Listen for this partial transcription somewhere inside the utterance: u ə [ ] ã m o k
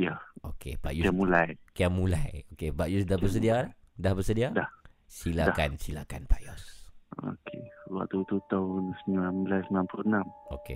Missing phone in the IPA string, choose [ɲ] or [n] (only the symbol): n